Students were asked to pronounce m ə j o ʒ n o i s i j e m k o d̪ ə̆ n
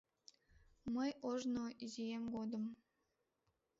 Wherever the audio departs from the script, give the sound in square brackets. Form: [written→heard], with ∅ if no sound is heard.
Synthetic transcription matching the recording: m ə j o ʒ n o i [s→z] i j e m [k→ɡ] o d̪ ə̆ [n→m]